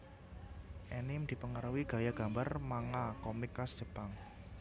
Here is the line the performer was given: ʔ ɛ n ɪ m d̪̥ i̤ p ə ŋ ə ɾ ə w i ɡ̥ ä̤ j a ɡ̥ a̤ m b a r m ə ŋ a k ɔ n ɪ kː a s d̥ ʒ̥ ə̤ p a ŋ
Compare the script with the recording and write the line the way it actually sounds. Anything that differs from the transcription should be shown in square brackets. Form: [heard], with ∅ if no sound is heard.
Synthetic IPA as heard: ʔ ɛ n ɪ m d̪̥ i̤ p ə ŋ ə ɾ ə w i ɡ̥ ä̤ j a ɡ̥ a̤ m b a r m [a] ŋ a k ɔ [m] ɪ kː a s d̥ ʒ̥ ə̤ p a ŋ